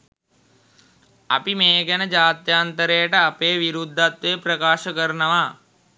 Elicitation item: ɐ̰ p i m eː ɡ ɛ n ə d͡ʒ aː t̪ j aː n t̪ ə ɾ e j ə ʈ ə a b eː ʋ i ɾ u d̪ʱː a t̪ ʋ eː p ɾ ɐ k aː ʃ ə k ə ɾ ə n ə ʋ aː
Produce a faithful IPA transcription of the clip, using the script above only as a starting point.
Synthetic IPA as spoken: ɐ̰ p i m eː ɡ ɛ n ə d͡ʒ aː t̪ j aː n t̪ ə ɾ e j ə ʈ ə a p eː ʋ i ɾ u d̪ʱː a t̪ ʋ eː p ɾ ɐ k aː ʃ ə k ə ɾ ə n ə ʋ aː